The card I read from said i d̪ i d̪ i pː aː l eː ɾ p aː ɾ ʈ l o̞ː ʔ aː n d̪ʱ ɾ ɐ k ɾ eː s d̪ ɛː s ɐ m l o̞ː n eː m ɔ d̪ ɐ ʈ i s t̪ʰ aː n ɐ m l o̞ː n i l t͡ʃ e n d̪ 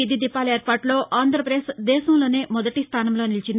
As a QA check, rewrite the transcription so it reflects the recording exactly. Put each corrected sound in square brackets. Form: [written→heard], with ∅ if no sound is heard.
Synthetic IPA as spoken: i d̪ i d̪ i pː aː l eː ɾ p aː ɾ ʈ l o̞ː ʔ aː n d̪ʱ ɾ ɐ [k→p] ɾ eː s d̪ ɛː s ɐ m l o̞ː n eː m ɔ d̪ ɐ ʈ i s t̪ʰ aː n ɐ m l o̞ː n i l t͡ʃ [e→i] n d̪

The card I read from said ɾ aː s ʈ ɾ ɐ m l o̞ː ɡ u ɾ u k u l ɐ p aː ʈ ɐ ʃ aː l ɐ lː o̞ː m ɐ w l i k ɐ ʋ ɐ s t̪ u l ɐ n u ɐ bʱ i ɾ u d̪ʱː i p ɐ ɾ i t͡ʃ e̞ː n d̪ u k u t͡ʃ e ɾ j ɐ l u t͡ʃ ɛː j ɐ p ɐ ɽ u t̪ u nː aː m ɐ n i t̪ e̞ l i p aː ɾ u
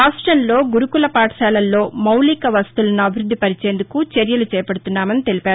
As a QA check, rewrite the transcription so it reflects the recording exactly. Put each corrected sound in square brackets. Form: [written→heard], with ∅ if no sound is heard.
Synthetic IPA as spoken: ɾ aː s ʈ ɾ ɐ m l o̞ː ɡ u ɾ u k u l ɐ p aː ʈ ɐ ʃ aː l ɐ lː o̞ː m ɐ w l i k ɐ ʋ ɐ s t̪ u l ɐ n u ɐ bʱ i ɾ u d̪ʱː i p ɐ ɾ i t͡ʃ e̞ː n d̪ u k u t͡ʃ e ɾ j ɐ l u t͡ʃ ɛː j ɐ p ɐ ɽ u t̪ u nː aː m ɐ n i t̪ e̞ l i p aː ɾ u

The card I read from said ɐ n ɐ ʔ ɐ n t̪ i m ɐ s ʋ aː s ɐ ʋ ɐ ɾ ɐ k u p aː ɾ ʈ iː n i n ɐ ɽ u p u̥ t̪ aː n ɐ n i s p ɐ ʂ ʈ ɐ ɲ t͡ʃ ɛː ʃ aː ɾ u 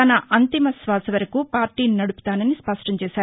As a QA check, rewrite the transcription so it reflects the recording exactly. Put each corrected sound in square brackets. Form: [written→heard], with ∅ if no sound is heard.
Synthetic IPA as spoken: ɐ n ɐ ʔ ɐ n t̪ i m ɐ s ʋ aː s ɐ ʋ ɐ ɾ ɐ k u p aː ɾ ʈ iː n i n ɐ ɽ u p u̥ t̪ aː n ɐ n i s p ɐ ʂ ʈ ɐ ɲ t͡ʃ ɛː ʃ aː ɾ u

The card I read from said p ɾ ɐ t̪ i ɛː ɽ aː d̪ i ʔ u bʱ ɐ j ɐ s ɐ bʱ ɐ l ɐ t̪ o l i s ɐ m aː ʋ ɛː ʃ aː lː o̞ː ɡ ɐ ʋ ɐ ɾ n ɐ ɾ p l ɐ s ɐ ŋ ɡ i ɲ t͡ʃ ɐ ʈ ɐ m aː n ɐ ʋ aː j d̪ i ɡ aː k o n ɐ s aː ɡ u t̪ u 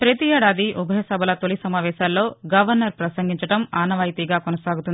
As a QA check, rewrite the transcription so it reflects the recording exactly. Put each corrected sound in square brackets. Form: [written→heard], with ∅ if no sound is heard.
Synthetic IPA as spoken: p ɾ ɐ t̪ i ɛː ɽ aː d̪ i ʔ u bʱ ɐ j ɐ s ɐ bʱ ɐ l ɐ t̪ o l i s ɐ m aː ʋ ɛː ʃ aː lː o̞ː ɡ ɐ ʋ ɐ ɾ n ɐ ɾ p [l→ɾ] ɐ s ɐ ŋ ɡ i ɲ t͡ʃ ɐ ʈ ɐ m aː n ɐ ʋ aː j [d̪→t̪] i ɡ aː k o n ɐ s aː ɡ u t̪ u

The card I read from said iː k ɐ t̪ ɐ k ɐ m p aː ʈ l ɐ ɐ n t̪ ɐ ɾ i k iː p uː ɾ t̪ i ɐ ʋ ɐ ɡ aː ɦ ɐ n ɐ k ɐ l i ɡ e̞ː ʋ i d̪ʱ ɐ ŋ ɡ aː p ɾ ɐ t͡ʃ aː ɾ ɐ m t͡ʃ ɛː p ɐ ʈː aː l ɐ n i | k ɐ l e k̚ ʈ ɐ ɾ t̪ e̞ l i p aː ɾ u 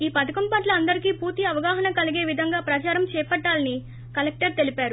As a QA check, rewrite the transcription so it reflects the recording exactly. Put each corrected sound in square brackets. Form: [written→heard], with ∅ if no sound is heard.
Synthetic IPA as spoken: iː [k→p] ɐ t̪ ɐ k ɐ m p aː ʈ l ɐ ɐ n [t̪→d̪] ɐ ɾ i k iː p uː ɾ t̪ i ɐ ʋ ɐ ɡ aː ɦ ɐ n ɐ k ɐ l i ɡ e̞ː ʋ i d̪ʱ ɐ ŋ ɡ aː p ɾ ɐ t͡ʃ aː ɾ ɐ m t͡ʃ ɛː p ɐ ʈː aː l ɐ n i | k ɐ l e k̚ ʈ ɐ ɾ t̪ e̞ l i p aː ɾ u

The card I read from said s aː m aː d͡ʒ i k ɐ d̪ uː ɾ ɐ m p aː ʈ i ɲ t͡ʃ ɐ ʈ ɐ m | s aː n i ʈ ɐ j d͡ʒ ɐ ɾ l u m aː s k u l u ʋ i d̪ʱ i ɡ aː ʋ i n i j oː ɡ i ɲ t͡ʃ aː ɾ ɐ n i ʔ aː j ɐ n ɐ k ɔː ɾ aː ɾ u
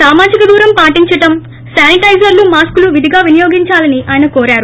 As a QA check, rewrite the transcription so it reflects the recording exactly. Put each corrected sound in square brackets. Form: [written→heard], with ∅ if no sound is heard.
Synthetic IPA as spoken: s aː m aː d͡ʒ i k ɐ d̪ uː ɾ ɐ m p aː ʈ i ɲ t͡ʃ ɐ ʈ ɐ m | s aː n i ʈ ɐ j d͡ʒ ɐ ɾ l u m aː s k u l u ʋ i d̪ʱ i ɡ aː ʋ i n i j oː ɡ i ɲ t͡ʃ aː [ɾ→l] ɐ n i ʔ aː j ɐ n ɐ k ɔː ɾ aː ɾ u

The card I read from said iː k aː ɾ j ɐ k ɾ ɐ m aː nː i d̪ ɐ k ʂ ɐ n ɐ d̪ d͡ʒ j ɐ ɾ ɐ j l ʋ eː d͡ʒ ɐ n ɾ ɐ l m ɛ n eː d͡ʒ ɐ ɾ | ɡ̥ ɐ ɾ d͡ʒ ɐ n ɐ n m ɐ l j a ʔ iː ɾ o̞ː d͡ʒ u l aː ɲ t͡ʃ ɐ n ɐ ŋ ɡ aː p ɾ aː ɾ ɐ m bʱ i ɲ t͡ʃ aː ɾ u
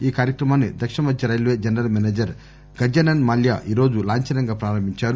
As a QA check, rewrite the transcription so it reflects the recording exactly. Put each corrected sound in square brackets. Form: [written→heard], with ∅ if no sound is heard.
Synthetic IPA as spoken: iː k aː ɾ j ɐ k ɾ ɐ m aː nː i d̪ ɐ k ʂ ɐ [n→m] ɐ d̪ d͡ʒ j ɐ ɾ ɐ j l ʋ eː d͡ʒ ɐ n ɾ ɐ l m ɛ n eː d͡ʒ ɐ ɾ | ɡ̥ ɐ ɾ d͡ʒ ɐ n ɐ n m ɐ l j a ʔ iː ɾ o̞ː d͡ʒ u l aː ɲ t͡ʃ ɐ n ɐ ŋ ɡ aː p ɾ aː ɾ ɐ m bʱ i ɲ t͡ʃ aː ɾ u

